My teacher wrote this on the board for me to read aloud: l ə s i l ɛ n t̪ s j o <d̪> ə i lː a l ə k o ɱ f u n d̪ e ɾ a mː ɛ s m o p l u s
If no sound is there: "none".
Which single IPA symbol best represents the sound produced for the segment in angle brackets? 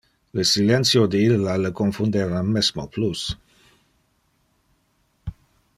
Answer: d̪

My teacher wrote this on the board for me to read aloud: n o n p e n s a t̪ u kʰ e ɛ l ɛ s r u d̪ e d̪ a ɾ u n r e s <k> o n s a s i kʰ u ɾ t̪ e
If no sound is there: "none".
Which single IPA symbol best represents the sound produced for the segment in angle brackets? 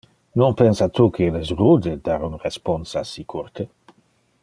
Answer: p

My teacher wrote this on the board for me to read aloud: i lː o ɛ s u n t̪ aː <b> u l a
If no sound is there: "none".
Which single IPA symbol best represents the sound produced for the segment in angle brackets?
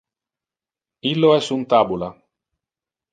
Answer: b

